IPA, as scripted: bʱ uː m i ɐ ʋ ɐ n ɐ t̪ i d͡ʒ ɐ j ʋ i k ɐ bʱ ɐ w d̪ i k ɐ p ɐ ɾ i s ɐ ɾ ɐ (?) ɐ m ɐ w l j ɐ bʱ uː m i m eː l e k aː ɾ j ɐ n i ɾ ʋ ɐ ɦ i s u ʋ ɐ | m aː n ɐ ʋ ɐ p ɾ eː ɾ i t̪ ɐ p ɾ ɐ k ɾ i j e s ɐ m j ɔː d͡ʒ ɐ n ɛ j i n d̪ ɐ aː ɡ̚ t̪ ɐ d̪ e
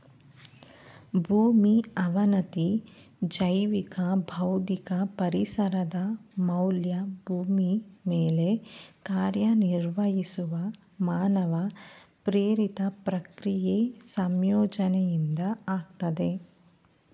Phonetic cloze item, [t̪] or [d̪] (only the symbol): d̪